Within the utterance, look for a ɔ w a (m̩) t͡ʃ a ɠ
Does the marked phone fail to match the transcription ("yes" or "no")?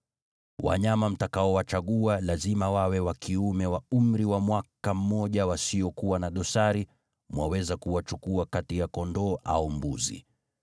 yes